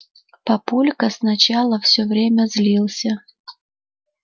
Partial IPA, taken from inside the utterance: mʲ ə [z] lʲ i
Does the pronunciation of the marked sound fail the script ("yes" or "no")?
no